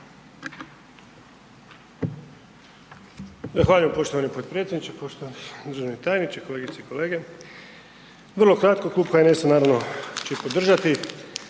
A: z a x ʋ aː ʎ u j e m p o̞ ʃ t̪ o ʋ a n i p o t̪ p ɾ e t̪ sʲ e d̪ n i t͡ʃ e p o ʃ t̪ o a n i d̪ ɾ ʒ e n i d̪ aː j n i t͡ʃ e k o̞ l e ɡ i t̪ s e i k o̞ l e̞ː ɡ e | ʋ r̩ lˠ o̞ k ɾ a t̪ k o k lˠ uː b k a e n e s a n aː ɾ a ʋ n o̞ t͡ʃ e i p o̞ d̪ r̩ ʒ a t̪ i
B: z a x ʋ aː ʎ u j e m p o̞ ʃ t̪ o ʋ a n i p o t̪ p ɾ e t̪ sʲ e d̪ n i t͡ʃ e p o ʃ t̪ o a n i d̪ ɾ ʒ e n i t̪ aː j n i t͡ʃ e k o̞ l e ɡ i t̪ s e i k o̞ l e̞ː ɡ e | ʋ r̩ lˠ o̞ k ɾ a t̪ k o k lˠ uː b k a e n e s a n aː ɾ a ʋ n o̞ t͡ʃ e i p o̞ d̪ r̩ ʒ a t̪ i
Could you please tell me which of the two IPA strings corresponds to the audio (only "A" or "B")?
B